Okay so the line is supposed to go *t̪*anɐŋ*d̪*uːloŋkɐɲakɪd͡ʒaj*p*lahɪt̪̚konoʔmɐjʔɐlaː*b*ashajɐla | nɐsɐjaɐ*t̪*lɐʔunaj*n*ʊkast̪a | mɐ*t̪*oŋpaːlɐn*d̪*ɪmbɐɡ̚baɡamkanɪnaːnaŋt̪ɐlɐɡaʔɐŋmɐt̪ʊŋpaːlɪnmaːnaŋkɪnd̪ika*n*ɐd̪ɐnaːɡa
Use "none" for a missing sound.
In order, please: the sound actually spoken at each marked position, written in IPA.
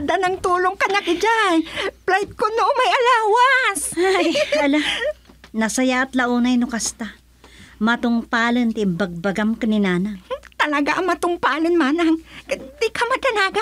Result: d̪, t̪, p, w, t̪, n, t̪, t̪, m

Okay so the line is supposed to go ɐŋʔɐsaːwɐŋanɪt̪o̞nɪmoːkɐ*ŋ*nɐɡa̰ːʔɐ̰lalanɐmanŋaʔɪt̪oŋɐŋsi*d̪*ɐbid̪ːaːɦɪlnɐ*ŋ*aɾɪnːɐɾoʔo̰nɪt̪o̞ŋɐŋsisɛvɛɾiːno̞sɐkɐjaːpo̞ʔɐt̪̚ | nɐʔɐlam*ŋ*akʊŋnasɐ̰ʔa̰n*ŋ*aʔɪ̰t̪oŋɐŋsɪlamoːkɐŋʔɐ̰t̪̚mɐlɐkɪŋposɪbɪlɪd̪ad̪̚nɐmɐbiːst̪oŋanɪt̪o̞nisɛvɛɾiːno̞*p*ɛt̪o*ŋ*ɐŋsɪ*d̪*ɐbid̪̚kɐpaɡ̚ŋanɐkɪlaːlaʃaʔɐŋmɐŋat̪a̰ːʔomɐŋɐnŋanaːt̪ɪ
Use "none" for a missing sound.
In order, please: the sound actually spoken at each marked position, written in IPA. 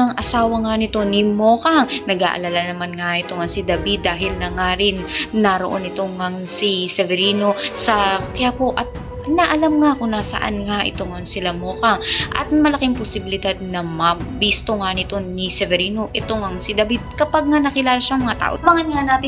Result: ŋ, d̪, ŋ, ŋ, ŋ, ʔ, ŋ, d̪

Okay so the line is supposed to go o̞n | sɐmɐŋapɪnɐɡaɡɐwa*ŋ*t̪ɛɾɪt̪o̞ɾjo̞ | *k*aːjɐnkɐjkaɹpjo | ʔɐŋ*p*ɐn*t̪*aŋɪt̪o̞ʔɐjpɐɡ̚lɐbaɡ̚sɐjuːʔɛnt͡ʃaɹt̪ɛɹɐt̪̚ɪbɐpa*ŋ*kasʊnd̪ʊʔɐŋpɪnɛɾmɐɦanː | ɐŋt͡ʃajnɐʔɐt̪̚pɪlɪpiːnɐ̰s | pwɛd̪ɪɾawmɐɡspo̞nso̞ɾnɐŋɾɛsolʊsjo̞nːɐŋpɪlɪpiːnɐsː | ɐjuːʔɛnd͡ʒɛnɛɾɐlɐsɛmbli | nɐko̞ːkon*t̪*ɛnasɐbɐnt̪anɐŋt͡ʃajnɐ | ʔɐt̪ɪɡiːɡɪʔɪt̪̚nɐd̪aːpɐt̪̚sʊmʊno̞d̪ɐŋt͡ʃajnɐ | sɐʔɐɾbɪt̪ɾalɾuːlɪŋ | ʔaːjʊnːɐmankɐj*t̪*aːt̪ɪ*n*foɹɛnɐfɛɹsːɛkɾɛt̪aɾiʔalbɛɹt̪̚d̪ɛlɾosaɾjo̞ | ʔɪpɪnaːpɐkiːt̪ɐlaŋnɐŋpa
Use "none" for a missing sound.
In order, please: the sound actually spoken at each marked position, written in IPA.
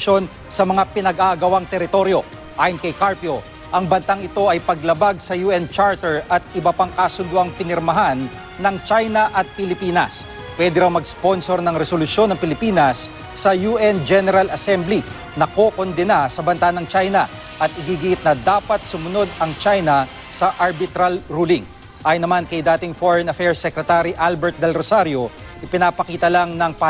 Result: ŋ, ʔ, b, t̪, ŋ, d̪, d̪, ŋ

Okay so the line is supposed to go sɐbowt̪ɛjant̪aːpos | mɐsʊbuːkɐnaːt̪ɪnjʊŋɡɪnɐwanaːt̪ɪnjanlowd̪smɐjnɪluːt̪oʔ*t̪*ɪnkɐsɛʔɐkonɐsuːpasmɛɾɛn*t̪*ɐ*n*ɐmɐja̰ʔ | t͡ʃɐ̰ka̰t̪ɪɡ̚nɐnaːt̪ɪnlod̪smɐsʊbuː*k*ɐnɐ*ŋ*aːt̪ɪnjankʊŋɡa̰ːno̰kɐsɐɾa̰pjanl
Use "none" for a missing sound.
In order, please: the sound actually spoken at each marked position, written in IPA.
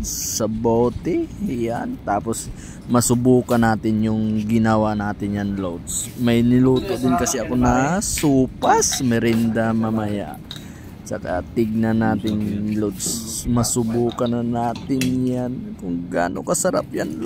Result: d̪, d̪, m, k, n

